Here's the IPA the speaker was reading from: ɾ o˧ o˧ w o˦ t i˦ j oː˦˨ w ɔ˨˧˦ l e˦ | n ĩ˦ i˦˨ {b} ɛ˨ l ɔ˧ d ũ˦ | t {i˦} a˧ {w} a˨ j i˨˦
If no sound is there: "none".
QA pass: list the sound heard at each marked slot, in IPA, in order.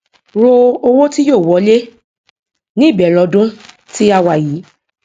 b, i˦, w

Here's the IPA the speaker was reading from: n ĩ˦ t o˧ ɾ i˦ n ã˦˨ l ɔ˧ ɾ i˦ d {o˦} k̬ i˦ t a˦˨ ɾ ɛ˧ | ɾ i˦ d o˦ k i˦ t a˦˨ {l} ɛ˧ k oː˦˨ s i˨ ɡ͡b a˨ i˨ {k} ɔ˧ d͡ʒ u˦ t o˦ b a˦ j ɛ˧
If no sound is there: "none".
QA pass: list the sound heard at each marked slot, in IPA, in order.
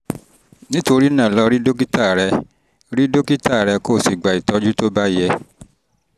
o˦, ɾ, t

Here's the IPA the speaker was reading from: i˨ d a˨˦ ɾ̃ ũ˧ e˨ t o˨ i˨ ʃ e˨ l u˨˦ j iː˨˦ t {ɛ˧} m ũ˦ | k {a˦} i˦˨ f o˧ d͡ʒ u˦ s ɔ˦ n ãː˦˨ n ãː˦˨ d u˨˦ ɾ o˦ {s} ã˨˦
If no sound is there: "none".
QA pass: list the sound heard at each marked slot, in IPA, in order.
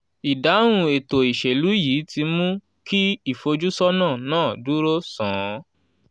i˧, i˦, s

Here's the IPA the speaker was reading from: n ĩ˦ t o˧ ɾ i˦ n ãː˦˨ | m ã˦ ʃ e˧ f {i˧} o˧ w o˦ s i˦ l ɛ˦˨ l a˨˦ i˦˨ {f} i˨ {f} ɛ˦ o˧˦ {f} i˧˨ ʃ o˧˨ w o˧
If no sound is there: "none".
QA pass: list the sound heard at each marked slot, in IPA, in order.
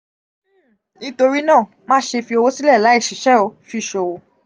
i˧, ʃ, ʃ, f

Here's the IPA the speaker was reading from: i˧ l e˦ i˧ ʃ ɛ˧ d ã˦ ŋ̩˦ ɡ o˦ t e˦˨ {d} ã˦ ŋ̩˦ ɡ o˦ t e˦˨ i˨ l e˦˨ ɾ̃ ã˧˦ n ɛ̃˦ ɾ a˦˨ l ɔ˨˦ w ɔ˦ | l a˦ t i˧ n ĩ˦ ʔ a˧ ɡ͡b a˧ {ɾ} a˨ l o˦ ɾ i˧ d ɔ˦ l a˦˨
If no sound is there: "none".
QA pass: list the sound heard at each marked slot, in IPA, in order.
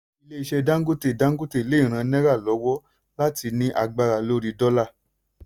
d, ɾ

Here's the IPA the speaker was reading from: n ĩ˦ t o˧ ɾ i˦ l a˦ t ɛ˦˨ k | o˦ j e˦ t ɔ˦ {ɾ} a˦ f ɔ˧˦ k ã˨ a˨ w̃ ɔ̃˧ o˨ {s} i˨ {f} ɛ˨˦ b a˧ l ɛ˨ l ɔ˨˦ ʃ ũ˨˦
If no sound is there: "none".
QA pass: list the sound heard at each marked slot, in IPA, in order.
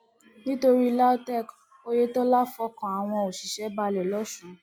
l, ʃ, ʃ

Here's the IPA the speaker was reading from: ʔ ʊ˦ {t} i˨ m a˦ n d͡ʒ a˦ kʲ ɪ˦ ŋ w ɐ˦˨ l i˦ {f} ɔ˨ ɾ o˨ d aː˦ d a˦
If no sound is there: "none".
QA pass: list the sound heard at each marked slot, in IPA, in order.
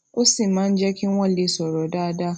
s, s

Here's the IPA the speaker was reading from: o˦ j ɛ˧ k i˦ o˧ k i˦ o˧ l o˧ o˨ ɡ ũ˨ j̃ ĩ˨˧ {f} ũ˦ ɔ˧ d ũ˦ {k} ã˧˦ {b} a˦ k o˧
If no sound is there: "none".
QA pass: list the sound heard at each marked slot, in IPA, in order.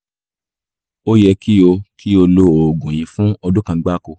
f, k, ɡ͡b

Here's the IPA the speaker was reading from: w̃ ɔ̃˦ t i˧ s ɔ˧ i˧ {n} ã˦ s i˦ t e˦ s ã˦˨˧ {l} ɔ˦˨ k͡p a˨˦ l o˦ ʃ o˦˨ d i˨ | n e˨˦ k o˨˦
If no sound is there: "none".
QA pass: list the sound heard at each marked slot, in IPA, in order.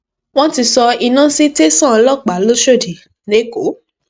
n, l

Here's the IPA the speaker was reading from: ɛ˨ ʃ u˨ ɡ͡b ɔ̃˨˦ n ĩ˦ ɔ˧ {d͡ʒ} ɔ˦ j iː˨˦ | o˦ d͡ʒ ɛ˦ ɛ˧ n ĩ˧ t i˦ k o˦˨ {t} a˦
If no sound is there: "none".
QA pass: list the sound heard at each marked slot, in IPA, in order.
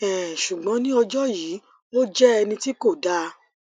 d͡ʒ, d

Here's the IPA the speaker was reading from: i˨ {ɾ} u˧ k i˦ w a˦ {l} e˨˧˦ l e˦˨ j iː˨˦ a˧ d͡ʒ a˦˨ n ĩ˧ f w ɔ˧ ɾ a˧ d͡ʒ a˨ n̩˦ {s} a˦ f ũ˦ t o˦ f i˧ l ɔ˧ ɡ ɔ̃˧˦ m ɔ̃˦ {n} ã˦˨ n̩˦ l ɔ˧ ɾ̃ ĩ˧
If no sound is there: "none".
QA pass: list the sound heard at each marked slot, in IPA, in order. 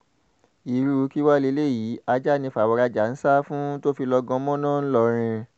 ɾ, l, s, n

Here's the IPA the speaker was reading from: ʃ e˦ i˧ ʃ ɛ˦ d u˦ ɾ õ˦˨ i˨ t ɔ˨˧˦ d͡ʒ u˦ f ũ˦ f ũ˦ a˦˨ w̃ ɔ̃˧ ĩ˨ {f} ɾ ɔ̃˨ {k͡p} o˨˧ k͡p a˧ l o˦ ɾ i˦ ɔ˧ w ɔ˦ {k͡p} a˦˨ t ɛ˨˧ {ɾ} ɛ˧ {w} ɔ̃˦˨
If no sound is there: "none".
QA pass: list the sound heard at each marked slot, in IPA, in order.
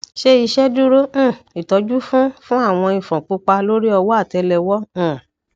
f, k͡p, none, l, w

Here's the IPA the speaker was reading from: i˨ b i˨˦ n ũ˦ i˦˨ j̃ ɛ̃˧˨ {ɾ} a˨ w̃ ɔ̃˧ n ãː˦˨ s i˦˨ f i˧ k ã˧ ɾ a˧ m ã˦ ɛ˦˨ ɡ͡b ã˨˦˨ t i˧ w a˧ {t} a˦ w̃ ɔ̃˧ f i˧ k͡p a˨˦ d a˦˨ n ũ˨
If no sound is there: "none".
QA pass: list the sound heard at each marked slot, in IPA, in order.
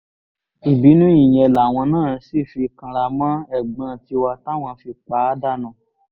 l, t

